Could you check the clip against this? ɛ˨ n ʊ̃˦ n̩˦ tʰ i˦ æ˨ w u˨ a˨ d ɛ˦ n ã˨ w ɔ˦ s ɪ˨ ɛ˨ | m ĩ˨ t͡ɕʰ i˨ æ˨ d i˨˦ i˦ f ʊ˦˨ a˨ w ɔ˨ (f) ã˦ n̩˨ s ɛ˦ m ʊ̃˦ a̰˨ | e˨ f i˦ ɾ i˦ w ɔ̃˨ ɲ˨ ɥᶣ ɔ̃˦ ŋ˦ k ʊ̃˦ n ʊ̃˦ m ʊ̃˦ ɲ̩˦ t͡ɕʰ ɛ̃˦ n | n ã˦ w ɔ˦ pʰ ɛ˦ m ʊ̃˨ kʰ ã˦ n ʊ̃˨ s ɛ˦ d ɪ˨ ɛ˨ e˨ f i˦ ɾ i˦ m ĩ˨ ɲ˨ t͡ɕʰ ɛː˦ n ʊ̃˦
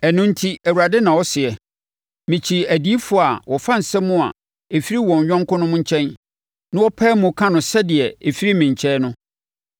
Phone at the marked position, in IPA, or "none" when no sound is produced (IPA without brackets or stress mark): f